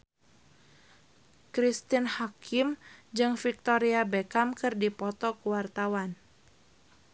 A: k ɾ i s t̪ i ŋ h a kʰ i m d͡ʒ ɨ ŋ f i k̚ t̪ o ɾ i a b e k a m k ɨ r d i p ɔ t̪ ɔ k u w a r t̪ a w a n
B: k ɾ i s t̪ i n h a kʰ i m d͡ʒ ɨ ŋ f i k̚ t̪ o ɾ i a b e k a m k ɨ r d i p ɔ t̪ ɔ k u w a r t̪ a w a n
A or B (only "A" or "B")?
B